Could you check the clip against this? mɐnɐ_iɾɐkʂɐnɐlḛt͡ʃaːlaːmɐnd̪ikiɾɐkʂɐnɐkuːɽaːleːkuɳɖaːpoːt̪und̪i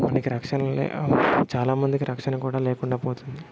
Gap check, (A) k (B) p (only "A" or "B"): A